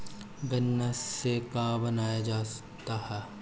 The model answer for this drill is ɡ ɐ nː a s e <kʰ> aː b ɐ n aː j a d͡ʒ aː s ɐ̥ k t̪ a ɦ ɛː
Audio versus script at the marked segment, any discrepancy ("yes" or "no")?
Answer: yes